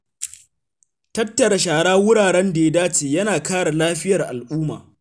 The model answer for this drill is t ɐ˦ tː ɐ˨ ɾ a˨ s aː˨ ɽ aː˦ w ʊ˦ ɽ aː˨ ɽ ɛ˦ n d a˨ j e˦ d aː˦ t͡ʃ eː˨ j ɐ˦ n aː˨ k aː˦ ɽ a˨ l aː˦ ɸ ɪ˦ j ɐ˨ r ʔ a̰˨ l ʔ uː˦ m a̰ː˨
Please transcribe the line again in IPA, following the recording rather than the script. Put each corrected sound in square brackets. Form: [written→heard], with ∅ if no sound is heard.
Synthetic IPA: t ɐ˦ tː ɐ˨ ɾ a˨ [s→ʃ] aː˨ ɽ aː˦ w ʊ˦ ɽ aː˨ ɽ ɛ˦ n d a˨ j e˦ d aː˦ t͡ʃ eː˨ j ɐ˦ n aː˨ k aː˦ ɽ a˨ l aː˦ ɸ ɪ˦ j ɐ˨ r ʔ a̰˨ l ʔ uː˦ m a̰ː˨